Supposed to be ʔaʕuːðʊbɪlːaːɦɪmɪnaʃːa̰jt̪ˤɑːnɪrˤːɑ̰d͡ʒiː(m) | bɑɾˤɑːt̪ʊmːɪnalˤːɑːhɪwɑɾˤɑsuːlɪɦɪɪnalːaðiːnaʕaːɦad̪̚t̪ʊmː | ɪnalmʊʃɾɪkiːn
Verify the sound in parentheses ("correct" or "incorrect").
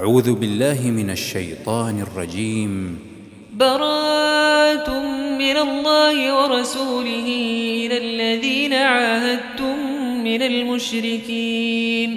correct